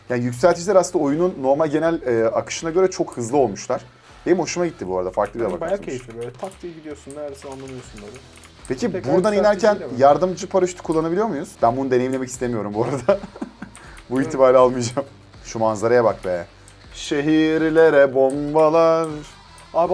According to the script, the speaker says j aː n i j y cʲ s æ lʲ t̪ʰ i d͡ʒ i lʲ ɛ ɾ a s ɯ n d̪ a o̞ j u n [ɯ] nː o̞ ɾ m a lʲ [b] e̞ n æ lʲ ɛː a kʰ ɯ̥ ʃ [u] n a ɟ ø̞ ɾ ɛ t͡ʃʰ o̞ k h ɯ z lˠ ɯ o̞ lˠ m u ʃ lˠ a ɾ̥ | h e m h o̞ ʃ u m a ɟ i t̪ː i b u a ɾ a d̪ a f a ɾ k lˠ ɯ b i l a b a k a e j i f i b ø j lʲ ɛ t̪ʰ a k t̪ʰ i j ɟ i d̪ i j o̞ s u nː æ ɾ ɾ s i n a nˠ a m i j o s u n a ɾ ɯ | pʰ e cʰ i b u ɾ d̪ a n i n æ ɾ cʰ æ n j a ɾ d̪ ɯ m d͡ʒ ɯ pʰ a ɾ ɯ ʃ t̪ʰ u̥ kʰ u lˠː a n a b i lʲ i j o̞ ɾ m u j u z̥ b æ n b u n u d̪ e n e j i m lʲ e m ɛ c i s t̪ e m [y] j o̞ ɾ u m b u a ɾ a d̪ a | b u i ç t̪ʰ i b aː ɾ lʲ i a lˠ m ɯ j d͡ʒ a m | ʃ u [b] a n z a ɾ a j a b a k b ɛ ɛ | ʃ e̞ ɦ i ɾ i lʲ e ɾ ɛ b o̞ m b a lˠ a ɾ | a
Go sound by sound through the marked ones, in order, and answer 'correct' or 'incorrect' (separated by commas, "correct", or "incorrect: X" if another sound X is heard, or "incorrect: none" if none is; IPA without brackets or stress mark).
incorrect: u, incorrect: ɟ, incorrect: ɯ, incorrect: i, incorrect: m